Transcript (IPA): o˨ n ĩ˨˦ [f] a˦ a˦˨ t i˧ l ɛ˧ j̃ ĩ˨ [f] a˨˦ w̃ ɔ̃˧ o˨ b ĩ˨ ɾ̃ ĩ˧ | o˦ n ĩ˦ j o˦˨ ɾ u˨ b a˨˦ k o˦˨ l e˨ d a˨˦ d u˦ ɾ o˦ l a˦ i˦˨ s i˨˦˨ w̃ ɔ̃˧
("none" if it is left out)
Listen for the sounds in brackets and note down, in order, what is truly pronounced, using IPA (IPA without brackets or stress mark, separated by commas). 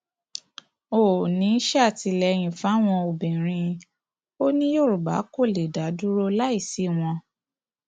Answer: ʃ, f